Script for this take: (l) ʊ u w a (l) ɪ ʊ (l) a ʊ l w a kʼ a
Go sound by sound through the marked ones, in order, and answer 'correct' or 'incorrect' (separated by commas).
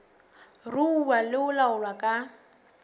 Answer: incorrect, correct, correct